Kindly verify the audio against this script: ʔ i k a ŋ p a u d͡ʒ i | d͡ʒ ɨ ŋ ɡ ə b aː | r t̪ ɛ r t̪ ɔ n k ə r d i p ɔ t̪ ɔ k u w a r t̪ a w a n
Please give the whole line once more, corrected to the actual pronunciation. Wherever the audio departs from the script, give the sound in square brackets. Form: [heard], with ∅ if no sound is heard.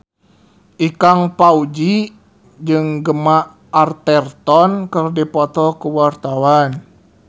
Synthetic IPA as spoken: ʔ i k a ŋ p a u d͡ʒ i | d͡ʒ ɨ ŋ ɡ ə [m] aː | r t̪ ɛ r t̪ ɔ n k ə r d i p ɔ t̪ ɔ k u w a r t̪ a w a n